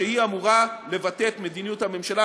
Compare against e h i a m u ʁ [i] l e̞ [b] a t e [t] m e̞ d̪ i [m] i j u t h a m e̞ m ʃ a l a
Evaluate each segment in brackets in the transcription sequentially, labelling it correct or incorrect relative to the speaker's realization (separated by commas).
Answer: incorrect, incorrect, correct, incorrect